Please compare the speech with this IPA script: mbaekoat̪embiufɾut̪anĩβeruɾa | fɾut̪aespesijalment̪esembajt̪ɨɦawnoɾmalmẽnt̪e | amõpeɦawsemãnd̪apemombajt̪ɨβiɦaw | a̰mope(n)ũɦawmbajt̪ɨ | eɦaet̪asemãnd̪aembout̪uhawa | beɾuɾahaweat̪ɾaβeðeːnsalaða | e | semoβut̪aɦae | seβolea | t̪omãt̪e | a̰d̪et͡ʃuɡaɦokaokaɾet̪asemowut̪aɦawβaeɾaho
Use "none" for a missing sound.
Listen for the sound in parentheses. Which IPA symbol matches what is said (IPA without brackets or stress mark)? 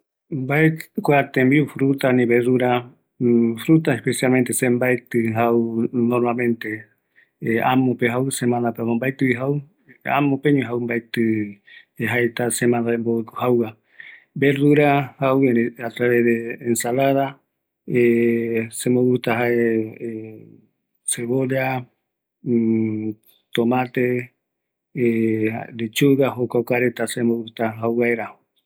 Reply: ɲ